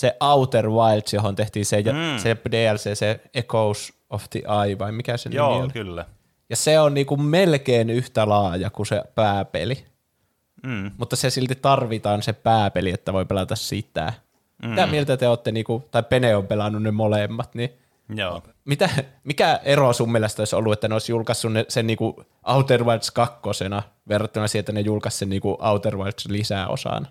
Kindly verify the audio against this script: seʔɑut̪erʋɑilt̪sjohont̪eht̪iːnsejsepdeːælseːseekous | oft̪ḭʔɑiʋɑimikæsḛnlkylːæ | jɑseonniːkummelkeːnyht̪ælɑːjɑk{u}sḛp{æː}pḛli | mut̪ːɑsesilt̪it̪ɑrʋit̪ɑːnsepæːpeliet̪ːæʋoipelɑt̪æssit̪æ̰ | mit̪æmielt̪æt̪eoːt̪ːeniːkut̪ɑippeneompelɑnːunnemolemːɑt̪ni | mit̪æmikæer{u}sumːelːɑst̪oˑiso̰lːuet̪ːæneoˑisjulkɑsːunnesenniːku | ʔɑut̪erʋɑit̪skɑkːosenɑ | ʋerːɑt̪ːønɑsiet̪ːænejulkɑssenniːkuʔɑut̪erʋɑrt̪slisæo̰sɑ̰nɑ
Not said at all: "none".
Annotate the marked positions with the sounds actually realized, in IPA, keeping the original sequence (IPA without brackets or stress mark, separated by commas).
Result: u, æː, o